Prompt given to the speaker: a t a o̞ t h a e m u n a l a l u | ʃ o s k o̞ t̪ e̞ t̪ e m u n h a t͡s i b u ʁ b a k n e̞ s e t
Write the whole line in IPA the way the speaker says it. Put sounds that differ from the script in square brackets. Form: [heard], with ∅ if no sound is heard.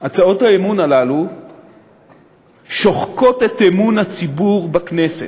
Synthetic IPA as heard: a [t͡s] a o̞ t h a e m u n a l a l u | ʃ o [χ] k o̞ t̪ e̞ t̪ e m u n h a t͡s i b u ʁ b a k n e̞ s e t